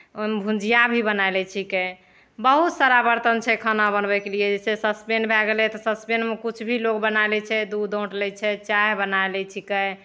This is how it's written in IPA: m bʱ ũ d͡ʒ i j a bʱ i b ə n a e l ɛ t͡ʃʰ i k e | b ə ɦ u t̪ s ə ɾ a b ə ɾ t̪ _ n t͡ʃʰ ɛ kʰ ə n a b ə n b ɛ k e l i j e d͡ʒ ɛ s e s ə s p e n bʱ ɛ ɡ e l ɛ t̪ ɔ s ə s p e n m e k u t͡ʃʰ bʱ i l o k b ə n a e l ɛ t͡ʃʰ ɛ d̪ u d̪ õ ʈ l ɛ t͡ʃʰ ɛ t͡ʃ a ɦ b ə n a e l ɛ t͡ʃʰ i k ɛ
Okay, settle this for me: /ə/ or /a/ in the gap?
ə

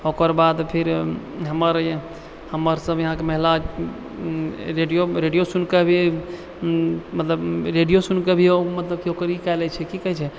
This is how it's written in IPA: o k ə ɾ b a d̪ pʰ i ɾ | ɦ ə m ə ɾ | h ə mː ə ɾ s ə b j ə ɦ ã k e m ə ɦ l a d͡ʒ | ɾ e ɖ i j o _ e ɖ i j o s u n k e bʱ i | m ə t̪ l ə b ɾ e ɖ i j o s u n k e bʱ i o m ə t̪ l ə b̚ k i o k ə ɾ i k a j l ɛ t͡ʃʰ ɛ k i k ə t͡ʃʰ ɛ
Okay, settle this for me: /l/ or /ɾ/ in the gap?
ɾ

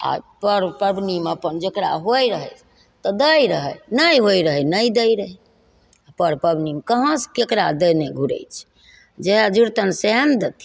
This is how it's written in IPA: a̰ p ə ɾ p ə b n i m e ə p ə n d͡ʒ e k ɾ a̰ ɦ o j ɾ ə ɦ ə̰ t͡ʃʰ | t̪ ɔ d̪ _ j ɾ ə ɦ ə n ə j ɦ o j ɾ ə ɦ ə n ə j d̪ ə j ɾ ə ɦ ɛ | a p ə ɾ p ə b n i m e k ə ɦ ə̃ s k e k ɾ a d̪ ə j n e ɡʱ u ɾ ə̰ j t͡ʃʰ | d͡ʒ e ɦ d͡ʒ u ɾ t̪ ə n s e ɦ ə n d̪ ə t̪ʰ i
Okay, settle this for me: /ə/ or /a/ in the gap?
ə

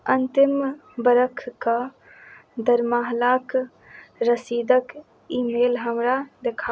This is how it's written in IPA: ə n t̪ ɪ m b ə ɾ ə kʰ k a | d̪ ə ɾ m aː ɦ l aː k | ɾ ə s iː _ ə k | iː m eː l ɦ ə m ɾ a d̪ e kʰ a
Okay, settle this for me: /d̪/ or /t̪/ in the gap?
d̪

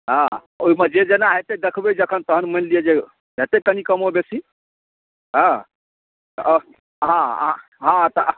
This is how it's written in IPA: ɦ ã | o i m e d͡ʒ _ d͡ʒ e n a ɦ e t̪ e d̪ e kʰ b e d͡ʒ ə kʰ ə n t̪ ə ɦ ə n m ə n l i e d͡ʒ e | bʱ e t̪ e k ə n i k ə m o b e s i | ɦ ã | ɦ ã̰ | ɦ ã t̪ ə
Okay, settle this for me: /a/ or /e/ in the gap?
e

